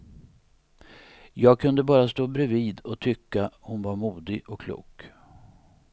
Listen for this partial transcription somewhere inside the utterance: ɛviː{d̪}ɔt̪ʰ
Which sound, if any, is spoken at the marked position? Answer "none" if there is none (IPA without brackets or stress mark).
d̪